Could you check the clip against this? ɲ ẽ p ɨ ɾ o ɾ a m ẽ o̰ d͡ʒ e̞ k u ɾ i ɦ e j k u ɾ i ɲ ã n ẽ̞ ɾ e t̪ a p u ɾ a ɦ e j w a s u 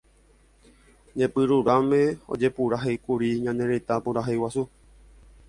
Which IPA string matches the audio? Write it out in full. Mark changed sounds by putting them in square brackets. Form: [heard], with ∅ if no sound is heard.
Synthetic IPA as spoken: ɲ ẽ p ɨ ɾ [u] ɾ a m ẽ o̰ d͡ʒ e̞ [p] u ɾ [a] ɦ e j k u ɾ i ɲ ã n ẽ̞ ɾ e t̪ a p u ɾ a ɦ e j w a s u